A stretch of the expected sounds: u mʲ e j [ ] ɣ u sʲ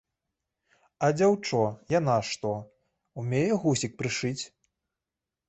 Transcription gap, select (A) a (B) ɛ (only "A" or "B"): B